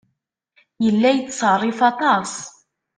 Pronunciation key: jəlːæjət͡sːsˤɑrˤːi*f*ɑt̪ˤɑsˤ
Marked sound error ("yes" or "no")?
no